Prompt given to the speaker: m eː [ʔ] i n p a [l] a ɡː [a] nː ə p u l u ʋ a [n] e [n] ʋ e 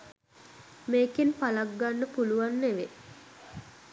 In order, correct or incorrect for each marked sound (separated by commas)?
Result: incorrect, correct, correct, incorrect, incorrect